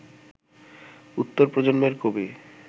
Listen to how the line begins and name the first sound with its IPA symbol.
u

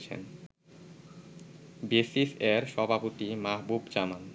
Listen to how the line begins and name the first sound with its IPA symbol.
t͡ɕʰ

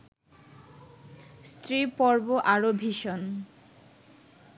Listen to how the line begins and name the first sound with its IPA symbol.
s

